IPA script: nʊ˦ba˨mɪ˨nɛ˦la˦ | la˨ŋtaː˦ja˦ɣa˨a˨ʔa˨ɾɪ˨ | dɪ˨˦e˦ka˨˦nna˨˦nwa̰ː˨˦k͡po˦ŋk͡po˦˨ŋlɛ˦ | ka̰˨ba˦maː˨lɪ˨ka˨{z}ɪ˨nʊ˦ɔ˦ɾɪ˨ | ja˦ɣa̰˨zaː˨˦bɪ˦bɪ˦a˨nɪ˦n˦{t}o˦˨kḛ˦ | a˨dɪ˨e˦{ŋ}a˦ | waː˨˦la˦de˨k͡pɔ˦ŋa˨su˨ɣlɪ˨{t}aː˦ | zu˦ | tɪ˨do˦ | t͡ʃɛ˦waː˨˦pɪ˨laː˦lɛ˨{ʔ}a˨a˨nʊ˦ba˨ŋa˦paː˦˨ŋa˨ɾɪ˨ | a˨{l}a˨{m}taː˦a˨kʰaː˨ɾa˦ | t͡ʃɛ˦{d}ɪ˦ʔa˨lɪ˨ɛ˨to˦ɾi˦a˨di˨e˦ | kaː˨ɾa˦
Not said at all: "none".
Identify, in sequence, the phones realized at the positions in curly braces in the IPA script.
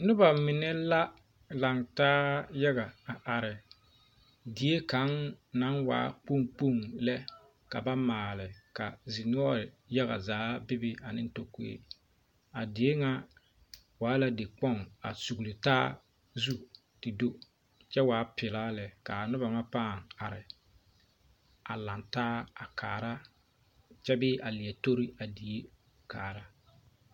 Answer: z, t, ŋ, t, k, l, n, b

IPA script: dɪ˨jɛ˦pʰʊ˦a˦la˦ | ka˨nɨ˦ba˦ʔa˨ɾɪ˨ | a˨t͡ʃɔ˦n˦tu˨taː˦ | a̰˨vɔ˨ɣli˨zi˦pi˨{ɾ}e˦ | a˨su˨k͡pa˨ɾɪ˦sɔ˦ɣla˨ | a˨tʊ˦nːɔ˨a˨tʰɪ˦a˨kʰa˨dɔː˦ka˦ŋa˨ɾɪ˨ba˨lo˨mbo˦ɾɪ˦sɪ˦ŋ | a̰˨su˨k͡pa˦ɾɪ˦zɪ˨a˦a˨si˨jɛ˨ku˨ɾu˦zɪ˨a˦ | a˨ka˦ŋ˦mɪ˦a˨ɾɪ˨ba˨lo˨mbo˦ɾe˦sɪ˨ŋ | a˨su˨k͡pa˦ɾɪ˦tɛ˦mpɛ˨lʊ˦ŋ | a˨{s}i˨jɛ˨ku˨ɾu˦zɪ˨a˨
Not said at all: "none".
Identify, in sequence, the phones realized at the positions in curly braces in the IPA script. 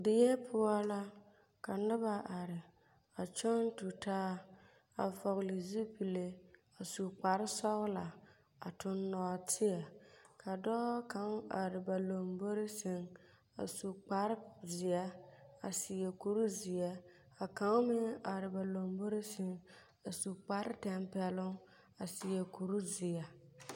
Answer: l, s

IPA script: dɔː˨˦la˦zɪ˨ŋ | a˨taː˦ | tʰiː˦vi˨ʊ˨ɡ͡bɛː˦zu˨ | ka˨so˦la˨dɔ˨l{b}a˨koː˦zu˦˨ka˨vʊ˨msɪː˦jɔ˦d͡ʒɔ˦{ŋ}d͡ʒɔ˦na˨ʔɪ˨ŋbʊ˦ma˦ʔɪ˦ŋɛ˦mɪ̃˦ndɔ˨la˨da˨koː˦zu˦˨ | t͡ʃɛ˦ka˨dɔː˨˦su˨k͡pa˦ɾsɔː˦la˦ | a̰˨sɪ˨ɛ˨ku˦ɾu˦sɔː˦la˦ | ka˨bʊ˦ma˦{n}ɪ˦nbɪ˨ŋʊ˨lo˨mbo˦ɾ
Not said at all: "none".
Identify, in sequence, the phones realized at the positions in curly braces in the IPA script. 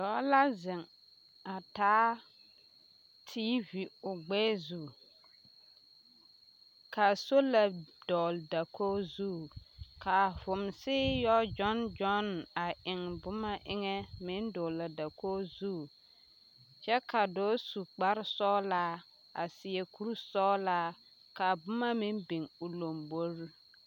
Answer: d, n, m

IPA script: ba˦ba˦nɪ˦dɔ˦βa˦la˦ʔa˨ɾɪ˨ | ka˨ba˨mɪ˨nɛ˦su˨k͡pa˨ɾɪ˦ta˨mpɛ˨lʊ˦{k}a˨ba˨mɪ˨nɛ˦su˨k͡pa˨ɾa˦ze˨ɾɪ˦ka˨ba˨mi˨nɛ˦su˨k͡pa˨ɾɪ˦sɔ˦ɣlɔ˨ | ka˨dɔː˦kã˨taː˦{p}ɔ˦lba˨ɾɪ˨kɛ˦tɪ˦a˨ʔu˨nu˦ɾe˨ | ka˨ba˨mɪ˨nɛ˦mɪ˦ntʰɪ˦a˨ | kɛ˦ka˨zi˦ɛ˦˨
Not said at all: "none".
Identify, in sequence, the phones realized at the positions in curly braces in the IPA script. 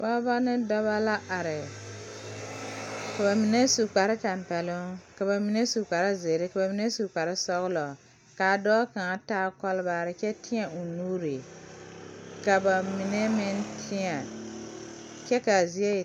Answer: k, k

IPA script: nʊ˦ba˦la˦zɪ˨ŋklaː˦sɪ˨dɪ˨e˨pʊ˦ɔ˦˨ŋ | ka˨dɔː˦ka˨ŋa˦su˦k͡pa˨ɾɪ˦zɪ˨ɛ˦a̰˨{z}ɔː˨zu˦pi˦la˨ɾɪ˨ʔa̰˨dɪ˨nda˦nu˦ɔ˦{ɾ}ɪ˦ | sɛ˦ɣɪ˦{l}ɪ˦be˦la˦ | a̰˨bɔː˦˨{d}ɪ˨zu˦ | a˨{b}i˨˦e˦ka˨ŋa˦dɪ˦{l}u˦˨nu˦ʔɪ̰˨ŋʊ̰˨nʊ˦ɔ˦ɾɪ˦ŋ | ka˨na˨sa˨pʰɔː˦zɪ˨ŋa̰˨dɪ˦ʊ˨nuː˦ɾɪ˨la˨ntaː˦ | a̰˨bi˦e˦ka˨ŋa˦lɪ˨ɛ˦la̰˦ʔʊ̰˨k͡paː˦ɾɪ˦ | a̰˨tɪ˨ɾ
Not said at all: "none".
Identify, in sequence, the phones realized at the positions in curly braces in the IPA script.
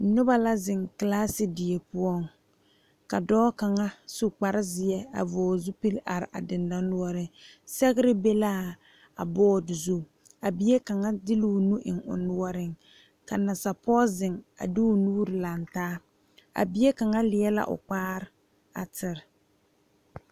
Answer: v, ɾ, ɾ, d, b, l

